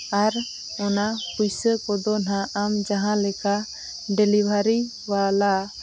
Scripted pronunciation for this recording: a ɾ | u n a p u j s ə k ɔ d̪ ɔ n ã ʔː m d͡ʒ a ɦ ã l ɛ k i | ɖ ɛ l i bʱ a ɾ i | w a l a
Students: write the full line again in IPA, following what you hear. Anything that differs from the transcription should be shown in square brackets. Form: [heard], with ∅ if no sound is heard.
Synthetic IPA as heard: a ɾ | [ɔ] n a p u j s ə k ɔ d̪ ɔ n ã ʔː m d͡ʒ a ɦ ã l ɛ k [a] | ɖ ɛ l i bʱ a ɾ i | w a l a